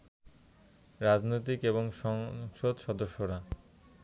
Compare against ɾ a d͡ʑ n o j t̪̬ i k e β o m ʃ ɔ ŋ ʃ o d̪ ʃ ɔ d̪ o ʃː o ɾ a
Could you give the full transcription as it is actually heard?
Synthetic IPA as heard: ɾ a d͡ʑ n o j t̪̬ i k e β o ŋ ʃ ɔ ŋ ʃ o d̪ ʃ ɔ d̪ o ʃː o ɾ a